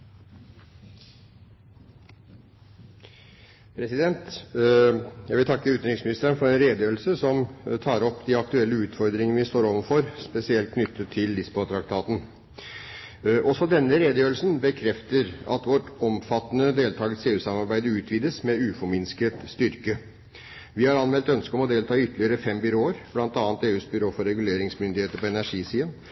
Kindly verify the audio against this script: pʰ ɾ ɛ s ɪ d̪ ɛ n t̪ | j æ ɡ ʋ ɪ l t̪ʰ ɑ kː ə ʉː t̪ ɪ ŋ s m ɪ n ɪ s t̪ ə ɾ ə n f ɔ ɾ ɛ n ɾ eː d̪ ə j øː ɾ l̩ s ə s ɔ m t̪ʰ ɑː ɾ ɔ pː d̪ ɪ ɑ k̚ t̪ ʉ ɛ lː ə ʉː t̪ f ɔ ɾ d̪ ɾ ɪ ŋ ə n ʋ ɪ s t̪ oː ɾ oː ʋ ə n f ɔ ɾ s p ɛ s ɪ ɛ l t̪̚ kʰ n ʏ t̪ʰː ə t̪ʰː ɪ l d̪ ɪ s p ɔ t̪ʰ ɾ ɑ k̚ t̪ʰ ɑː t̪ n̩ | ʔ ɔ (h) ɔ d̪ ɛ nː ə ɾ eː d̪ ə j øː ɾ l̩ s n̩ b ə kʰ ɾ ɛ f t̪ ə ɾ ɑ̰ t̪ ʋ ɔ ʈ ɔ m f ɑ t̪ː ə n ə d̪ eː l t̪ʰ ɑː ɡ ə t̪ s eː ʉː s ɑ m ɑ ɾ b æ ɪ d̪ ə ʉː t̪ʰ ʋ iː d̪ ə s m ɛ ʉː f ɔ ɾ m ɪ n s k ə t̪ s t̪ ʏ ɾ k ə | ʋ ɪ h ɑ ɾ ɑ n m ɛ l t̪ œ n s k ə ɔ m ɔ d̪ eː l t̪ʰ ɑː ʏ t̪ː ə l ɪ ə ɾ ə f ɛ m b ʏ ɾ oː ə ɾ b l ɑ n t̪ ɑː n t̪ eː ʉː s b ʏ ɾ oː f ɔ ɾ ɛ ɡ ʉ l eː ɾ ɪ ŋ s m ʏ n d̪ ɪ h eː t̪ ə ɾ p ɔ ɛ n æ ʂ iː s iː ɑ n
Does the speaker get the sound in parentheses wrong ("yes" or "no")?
yes